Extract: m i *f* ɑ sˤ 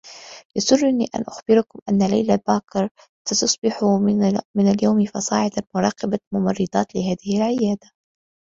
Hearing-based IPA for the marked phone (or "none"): f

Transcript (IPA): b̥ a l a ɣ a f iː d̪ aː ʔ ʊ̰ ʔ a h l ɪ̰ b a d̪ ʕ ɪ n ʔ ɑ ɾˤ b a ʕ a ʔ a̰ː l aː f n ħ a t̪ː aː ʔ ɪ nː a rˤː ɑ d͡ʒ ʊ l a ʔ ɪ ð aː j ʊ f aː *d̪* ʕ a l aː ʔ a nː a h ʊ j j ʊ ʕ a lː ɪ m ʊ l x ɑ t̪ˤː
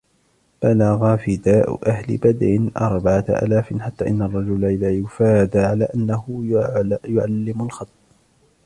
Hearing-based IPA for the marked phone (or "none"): d̪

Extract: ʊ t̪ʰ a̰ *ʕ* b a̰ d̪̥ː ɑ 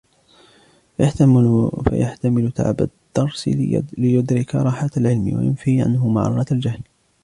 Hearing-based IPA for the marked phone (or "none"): ʕ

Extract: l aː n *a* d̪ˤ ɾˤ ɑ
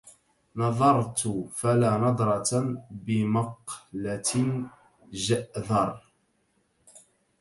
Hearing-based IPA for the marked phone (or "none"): ɑ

